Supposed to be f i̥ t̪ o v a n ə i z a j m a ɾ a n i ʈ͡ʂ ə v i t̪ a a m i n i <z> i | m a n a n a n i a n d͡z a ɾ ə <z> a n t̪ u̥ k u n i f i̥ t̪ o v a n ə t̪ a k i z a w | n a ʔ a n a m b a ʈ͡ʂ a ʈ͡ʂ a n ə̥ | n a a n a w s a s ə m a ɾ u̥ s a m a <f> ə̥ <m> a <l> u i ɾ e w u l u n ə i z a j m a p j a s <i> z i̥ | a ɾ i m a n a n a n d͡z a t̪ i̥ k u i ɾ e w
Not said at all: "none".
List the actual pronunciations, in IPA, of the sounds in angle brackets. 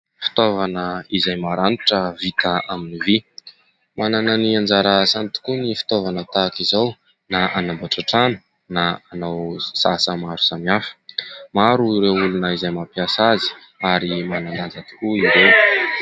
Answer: v, s, f, m, ɾ, a

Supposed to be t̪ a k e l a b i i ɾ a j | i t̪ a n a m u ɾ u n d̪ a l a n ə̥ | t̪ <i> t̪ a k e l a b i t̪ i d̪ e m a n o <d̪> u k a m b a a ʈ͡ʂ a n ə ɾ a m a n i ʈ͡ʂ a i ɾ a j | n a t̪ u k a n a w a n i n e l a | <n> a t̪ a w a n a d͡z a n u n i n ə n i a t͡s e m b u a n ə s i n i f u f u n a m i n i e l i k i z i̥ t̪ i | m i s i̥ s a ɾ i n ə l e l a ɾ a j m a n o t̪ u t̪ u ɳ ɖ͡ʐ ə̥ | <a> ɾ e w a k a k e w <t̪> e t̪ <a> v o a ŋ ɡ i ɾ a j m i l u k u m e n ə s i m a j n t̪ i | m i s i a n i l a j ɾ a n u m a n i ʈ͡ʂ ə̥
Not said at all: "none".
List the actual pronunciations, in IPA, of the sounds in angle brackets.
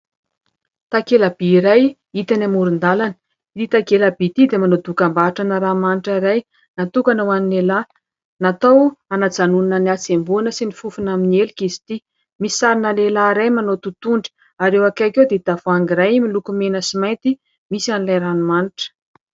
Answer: i, d̪, n, a, d̪, a

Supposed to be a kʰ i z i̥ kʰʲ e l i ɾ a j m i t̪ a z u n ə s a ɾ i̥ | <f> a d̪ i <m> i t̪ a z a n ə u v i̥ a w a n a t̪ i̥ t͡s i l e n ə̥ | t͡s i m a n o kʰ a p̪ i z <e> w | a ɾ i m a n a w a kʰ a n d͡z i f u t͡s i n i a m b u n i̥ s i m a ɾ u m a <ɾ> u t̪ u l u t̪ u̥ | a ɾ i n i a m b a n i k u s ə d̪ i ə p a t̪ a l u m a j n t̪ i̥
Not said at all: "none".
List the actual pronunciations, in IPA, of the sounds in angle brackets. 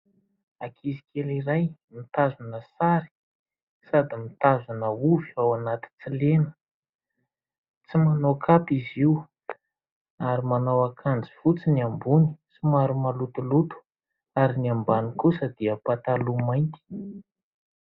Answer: s, m, i, l

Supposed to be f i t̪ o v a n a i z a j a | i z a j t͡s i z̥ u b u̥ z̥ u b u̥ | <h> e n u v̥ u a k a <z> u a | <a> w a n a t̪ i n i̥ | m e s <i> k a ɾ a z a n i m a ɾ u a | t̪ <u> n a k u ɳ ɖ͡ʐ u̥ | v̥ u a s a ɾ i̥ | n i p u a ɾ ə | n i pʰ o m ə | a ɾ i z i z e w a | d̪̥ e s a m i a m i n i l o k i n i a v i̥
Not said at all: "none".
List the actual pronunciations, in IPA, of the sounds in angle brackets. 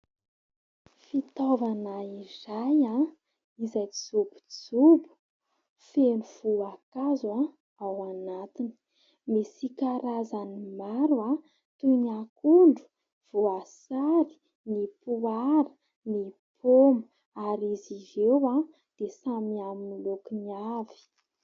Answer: f, z, a, i, u

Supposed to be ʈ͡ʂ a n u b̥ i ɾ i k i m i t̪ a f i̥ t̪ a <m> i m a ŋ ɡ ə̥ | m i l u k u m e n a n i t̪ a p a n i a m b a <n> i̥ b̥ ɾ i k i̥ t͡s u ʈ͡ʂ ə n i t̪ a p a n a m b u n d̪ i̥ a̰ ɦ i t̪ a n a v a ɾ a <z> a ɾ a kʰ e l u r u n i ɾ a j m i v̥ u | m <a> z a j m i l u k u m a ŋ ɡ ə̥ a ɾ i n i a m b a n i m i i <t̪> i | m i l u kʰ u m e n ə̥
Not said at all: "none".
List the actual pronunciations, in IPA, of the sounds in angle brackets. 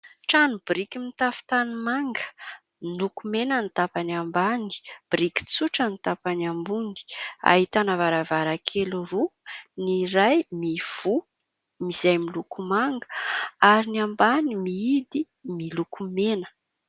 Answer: n, n, v, i, d̪

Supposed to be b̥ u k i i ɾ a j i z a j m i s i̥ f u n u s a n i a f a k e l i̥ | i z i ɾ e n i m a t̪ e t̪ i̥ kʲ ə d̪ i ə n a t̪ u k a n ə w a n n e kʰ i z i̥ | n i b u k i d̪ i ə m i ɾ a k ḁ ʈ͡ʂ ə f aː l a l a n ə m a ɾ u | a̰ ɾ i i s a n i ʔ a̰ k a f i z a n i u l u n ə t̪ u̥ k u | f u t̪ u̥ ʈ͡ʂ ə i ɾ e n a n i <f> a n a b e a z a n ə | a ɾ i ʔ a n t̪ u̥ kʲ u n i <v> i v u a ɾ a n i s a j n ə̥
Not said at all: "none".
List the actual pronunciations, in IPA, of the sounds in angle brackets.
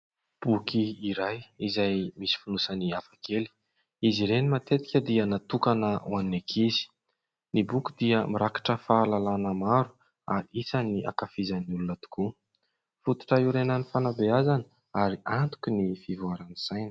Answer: f, f

